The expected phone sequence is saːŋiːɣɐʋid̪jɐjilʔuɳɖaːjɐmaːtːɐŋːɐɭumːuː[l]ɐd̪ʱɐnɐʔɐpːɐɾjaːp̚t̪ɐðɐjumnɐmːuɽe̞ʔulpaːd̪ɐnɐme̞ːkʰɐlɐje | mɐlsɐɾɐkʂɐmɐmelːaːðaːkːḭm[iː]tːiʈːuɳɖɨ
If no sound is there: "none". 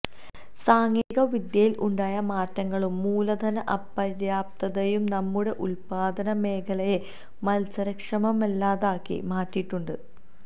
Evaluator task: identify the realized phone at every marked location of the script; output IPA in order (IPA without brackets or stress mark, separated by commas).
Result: l, aː